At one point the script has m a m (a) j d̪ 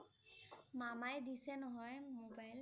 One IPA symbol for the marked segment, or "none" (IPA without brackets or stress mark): a